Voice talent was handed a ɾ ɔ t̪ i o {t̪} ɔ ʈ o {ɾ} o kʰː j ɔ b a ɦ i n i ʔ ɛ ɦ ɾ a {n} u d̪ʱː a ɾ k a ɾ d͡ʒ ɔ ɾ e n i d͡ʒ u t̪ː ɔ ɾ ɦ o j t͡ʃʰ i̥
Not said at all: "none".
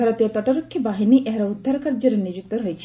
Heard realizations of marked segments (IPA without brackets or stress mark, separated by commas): t̪, ɾ, none